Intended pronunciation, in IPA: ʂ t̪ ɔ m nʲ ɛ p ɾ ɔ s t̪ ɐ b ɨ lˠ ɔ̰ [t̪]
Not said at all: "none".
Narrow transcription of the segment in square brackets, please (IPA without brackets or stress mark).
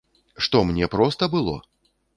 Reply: none